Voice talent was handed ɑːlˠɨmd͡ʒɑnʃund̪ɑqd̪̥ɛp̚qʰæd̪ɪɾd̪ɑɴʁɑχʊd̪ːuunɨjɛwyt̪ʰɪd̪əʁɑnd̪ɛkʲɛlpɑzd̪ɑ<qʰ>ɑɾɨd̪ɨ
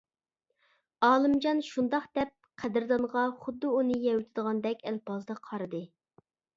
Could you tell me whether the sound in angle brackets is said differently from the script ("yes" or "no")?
no